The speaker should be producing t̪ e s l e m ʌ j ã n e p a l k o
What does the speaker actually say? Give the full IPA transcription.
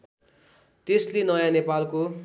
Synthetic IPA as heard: t̪ e s l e n ʌ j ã n e p a l k o